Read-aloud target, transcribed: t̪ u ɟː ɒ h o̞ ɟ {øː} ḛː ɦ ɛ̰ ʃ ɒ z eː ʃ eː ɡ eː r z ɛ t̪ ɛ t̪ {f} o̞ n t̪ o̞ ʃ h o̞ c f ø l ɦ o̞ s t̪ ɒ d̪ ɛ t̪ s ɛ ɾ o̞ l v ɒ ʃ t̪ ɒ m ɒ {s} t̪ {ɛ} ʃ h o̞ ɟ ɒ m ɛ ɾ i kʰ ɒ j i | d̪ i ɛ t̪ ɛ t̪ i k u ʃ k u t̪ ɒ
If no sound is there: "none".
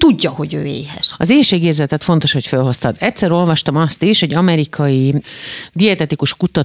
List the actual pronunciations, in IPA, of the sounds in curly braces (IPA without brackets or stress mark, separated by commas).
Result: øː, f, s, i